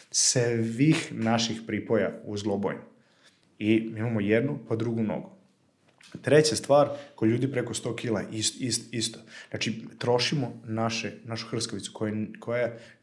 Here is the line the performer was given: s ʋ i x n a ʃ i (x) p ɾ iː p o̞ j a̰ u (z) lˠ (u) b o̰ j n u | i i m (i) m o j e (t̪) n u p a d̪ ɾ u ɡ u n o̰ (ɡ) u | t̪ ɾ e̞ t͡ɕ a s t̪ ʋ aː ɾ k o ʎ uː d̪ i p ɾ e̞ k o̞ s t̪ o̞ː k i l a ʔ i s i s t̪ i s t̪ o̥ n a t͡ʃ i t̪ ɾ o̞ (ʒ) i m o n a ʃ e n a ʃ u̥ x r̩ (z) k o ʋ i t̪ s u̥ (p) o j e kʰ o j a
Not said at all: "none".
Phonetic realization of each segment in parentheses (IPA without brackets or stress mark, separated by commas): x, z, o, a, d̪, ɡ, ʃ, s, k